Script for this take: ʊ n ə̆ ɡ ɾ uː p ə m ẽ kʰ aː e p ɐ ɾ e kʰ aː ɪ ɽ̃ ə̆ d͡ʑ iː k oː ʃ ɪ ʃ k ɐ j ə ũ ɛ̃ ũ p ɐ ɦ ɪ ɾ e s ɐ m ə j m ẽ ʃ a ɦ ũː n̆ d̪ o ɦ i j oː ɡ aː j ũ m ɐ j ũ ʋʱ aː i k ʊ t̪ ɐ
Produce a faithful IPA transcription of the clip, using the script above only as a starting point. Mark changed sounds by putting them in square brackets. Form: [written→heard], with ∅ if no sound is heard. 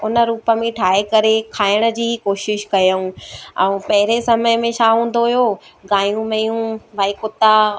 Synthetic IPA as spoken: ʊ n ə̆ [ɡ→∅] ɾ uː p ə m ẽ [kʰ→ʈʰ] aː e [p→k] ɐ ɾ e kʰ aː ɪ ɽ̃ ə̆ d͡ʑ iː k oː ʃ ɪ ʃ k ɐ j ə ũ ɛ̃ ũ p ɐ ɦ ɪ ɾ e s ɐ m ə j m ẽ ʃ a ɦ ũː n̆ d̪ o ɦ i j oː ɡ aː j ũ m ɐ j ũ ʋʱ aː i k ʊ t̪ [ɐ→a]